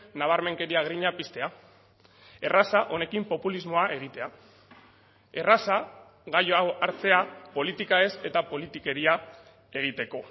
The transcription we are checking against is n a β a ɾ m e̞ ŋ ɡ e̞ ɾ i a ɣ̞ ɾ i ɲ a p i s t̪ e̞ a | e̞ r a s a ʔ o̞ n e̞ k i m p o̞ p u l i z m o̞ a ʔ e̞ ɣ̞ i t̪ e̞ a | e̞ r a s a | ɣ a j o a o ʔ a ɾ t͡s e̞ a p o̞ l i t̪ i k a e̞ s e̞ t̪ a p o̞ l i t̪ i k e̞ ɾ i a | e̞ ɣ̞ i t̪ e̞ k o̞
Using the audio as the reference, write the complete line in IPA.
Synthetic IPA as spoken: n a β a ɾ m e̞ ŋ k e̞ ɾ i a ɣ̞ ɾ i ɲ a p i s t̪ e̞ a | e̞ r a s a ʔ o̞ n e̞ k i m p o̞ p u l i z m o̞ a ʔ e̞ ɣ̞ i t̪ e̞ a | e̞ r a s a | ɣ a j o a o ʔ a ɾ t͡s e̞ a p o̞ l i t̪ i k a e̞ s e̞ t̪ a p o̞ l i t̪ i k e̞ ɾ i a | e̞ ɣ̞ i t̪ e̞ k o̞

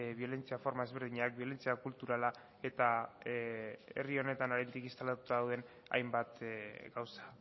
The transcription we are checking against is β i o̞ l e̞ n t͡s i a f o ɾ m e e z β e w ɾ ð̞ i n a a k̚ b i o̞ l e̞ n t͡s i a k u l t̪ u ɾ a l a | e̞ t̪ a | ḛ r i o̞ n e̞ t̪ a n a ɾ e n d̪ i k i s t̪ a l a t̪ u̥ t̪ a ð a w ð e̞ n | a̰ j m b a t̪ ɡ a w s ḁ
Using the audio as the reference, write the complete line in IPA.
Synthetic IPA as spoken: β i o̞ l e̞ n t͡s i a f o ɾ m a e z β e ɾ ð̞ i ɲ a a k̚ b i o̞ l e̞ n t͡s i a k u l t̪ u ɾ a l a | e̞ t̪ a | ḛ r i o̞ n e̞ t̪ a n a ɾ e n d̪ i k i s t̪ a l a t̪ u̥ t̪ a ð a w ð e̞ n | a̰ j m b a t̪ ɡ a w s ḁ

